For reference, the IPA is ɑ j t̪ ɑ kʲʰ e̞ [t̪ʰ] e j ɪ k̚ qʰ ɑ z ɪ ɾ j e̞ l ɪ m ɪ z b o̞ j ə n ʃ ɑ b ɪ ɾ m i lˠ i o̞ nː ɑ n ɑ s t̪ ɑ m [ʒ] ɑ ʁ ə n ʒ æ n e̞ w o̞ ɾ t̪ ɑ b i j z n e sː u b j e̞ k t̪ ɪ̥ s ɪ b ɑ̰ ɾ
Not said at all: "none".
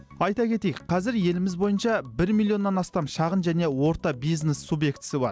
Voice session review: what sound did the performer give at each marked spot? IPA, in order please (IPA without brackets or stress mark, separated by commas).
t̪, ʃ